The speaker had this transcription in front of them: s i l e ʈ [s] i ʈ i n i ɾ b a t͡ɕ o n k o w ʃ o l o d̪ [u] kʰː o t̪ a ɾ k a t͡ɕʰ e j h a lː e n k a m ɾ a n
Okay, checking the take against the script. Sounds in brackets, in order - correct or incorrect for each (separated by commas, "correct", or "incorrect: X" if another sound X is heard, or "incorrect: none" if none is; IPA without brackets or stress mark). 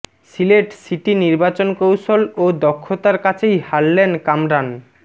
correct, incorrect: ɔ